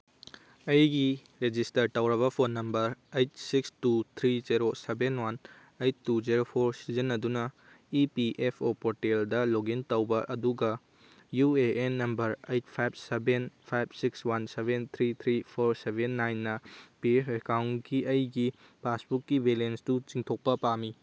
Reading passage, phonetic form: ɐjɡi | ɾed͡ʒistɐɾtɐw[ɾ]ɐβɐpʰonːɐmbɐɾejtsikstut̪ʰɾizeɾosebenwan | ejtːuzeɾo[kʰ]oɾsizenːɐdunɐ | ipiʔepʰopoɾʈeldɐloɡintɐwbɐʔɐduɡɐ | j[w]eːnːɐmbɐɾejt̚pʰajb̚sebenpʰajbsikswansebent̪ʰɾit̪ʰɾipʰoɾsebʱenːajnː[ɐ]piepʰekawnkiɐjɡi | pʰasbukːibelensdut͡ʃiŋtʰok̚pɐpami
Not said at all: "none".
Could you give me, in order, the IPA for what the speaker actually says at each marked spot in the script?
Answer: ɾ, pʰ, u, ɐ

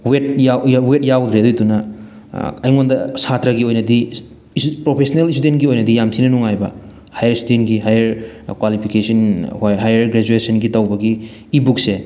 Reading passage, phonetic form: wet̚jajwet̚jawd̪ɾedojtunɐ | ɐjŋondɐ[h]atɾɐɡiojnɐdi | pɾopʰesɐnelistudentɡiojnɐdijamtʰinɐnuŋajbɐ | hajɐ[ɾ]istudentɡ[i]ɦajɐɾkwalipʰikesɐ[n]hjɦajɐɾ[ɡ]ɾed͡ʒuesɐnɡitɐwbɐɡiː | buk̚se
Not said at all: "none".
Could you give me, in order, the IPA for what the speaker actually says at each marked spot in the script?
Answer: s, ɾ, i, n, ɡ

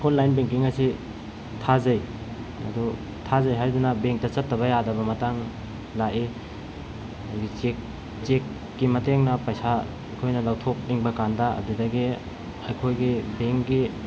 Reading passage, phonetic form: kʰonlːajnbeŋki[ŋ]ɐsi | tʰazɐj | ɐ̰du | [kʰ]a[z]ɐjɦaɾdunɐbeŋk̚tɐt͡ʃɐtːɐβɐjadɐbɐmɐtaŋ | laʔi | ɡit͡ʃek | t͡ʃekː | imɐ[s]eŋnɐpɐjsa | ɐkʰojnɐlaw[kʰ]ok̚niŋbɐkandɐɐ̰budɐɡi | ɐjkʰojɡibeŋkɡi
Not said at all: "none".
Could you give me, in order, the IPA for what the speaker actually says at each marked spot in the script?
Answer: ŋ, tʰ, z, t, tʰ

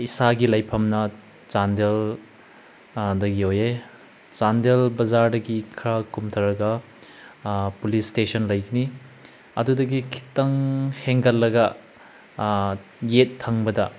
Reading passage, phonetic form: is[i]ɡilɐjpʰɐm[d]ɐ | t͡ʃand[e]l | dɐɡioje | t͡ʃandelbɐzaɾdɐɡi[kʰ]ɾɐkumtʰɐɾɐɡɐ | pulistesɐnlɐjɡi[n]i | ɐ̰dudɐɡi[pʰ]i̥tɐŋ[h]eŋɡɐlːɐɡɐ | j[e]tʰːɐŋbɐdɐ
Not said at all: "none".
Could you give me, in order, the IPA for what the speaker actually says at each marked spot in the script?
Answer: a, n, e, kʰ, n, kʰ, h, e

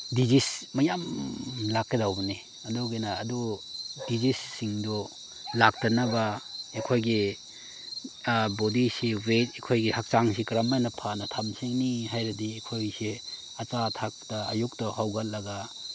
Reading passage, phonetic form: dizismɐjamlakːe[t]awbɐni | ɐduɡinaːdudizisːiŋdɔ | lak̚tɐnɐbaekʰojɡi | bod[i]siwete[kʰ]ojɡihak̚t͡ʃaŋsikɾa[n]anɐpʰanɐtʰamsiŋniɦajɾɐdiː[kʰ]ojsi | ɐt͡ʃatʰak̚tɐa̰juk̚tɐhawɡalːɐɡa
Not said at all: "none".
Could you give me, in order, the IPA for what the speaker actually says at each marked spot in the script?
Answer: d, i, kʰ, m, kʰ

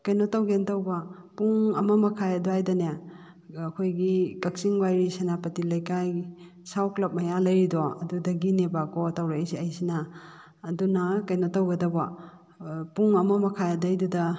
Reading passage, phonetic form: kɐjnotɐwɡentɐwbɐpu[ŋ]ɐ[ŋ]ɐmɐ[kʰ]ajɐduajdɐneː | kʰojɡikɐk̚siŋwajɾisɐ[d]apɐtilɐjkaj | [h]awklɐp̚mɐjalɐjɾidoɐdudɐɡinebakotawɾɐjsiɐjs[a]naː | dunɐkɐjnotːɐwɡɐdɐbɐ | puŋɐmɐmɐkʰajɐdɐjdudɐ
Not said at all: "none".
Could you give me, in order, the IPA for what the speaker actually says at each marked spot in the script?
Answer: ŋ, m, kʰ, n, s, i

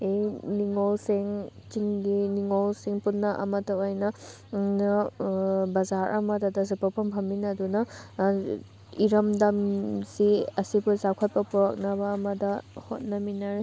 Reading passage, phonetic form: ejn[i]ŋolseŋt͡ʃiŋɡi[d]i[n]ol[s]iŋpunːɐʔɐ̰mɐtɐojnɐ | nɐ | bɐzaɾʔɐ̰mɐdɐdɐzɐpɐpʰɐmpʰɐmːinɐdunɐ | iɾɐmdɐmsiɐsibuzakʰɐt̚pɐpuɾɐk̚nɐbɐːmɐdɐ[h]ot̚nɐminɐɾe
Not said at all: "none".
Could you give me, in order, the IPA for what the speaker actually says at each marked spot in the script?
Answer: i, n, ŋ, s, h

